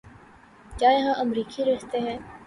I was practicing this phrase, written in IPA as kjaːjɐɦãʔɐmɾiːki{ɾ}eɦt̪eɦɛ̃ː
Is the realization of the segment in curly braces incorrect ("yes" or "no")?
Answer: no